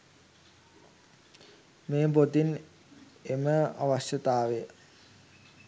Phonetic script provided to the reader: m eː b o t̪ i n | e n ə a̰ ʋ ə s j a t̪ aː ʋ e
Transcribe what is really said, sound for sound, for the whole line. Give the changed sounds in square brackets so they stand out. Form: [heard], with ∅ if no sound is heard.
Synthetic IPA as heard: m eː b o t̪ i n | e [m] ə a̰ ʋ [a] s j [ə] t̪ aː ʋ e